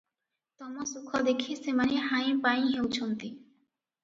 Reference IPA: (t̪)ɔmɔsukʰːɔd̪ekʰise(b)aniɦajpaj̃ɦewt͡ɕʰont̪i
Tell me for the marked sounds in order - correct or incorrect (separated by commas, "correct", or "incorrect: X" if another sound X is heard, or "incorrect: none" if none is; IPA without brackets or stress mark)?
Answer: correct, incorrect: m